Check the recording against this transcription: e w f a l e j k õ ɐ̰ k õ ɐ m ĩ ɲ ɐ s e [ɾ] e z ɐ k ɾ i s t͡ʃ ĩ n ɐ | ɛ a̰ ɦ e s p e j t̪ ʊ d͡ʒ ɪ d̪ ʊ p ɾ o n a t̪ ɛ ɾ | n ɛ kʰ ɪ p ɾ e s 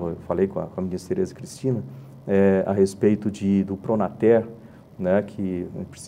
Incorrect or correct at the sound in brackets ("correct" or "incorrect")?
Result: correct